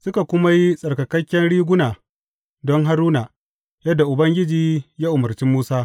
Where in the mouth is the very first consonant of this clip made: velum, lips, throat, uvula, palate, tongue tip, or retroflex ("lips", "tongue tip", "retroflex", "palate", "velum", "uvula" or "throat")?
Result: tongue tip